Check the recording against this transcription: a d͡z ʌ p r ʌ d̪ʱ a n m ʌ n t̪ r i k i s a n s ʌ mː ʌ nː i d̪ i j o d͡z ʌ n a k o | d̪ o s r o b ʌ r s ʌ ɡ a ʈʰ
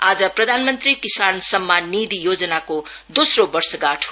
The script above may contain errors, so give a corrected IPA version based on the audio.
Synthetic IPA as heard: a d͡z ʌ p r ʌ d̪ʱ a n m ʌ n t̪ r i k i s a n s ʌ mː a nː i d̪ i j o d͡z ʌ n a k o | d̪ o s r o b ʌ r s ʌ ɡ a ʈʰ